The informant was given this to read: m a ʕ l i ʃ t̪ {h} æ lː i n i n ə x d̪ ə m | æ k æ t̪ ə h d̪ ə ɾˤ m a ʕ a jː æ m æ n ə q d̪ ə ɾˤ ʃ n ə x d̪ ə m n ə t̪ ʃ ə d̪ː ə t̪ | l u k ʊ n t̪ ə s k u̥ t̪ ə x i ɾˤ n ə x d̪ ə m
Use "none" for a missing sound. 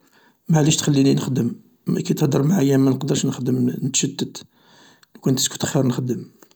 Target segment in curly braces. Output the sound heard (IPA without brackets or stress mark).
x